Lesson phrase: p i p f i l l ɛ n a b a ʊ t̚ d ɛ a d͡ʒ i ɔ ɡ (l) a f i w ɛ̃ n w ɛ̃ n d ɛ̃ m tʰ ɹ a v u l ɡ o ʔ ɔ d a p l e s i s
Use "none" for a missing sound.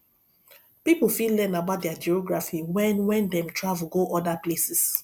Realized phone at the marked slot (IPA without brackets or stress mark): ɹ